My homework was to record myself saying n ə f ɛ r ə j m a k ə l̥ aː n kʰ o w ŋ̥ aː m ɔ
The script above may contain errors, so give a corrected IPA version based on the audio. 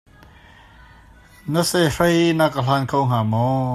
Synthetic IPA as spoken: n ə s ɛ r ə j n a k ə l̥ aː n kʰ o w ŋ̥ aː m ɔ